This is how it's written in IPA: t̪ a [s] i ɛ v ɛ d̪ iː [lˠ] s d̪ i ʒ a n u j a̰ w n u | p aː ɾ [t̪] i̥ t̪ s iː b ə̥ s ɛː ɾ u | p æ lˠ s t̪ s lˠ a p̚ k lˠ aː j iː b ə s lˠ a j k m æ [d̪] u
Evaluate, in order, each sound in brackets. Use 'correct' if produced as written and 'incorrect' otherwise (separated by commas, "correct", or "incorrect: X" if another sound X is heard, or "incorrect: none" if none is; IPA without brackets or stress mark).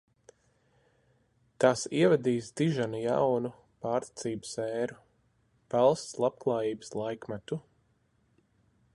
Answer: correct, incorrect: none, correct, incorrect: t̪